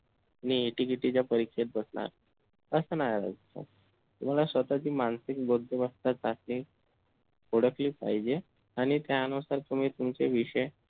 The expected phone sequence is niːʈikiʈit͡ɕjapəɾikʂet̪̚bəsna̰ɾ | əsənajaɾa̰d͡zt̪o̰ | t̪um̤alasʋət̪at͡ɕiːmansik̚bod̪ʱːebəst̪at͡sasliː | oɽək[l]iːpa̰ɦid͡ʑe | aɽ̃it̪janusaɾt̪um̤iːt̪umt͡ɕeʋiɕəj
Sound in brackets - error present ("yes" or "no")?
no